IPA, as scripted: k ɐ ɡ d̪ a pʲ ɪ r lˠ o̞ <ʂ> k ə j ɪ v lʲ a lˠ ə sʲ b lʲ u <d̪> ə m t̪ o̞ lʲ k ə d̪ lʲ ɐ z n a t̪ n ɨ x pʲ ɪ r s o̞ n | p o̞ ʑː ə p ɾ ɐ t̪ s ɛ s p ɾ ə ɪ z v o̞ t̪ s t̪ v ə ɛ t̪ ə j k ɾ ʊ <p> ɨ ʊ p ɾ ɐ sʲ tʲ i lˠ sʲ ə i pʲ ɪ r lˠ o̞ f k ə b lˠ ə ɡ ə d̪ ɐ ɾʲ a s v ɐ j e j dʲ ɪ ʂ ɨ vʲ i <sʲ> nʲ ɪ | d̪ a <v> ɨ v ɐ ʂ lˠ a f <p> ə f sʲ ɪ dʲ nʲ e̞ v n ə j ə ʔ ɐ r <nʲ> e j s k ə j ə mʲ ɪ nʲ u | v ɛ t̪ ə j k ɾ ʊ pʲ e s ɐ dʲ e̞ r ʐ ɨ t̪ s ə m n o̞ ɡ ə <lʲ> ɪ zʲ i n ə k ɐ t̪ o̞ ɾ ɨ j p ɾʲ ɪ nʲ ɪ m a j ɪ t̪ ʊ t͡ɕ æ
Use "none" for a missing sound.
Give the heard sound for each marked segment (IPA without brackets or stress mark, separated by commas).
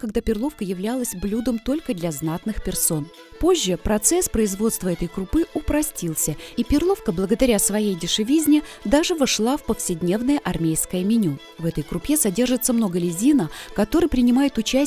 f, d̪, p, zʲ, ʐ, p, mʲ, lʲ